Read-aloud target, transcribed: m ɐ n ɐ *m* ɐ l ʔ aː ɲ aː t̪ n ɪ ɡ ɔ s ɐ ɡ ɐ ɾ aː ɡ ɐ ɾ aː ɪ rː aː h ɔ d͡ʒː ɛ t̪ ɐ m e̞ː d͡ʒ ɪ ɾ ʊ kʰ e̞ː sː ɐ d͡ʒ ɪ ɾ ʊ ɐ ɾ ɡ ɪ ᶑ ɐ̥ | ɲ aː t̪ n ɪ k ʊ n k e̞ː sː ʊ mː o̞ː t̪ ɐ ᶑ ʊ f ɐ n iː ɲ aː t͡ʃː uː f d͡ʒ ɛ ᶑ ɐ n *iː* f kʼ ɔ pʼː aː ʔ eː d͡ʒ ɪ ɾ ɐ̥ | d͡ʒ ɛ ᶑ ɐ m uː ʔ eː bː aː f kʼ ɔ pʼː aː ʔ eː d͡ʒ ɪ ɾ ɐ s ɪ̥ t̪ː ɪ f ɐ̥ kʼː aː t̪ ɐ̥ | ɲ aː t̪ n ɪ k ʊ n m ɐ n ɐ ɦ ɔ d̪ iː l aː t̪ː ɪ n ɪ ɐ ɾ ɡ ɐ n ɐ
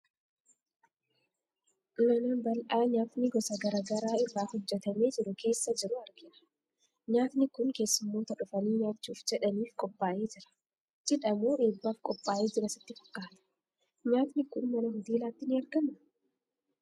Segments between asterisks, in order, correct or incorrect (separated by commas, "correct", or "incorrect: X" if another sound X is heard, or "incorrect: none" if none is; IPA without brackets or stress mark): incorrect: b, correct